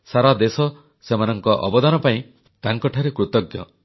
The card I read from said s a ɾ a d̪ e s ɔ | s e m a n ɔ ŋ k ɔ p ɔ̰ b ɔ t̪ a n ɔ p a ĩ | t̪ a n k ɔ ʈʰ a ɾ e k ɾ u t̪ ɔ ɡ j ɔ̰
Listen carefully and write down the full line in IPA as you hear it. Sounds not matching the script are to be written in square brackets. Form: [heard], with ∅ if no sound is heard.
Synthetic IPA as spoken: s a ɾ a d̪ e s ɔ | s e m a n ɔ ŋ k ɔ [ʔ] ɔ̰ b ɔ [d̪] a n ɔ p a ĩ | t̪ a [ŋ] k ɔ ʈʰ a ɾ e k ɾ u t̪ ɔ ɡ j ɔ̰